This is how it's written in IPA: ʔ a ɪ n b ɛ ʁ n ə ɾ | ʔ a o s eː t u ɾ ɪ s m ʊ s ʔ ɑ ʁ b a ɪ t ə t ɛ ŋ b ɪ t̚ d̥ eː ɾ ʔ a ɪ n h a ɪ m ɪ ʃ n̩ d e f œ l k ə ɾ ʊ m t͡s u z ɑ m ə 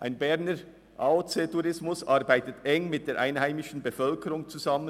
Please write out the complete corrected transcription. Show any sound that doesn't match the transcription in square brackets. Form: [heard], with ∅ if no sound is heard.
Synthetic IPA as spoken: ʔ a ɪ n b ɛ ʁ n ə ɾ | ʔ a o [t͡s] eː t u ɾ ɪ s m ʊ s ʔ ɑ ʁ b a ɪ t ə t ɛ ŋ [m] ɪ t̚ d̥ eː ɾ ʔ a ɪ n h a ɪ m ɪ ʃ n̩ [b] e f œ l k ə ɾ ʊ [ŋ] t͡s u z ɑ m ə